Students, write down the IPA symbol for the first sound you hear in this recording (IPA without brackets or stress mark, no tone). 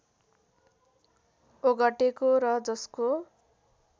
o